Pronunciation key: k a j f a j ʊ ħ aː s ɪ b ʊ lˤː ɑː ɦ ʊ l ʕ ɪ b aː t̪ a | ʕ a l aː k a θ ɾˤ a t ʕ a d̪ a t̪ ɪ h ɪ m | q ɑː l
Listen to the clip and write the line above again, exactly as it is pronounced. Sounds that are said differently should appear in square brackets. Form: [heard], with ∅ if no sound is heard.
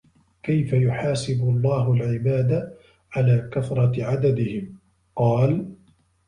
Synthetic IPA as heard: k a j f a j ʊ ħ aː s ɪ b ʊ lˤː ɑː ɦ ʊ l ʕ ɪ b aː [d̪] a | ʕ a l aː k a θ ɾˤ [ɑ] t ʕ a d̪ a [d̪] ɪ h ɪ m | q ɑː l